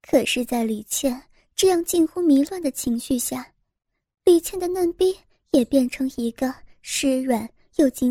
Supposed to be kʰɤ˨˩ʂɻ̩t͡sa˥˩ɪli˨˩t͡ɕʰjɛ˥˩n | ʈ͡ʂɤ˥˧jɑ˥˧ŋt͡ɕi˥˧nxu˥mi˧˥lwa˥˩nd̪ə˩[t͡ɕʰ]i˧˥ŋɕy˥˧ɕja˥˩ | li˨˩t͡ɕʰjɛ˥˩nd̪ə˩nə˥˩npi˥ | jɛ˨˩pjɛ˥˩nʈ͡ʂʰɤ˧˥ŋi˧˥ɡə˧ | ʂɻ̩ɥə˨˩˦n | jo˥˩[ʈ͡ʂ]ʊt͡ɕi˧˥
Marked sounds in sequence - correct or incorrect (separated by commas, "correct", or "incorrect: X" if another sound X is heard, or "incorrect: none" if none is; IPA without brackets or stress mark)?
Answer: correct, incorrect: none